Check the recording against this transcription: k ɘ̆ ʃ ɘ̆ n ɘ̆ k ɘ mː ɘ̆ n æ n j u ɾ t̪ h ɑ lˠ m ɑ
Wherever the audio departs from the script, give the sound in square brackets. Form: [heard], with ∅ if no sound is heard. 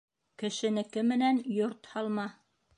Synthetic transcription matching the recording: k ɘ̆ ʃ ɘ̆ n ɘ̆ k ɘ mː ɘ̆ n æ n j [o] ɾ t̪ h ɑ lˠ m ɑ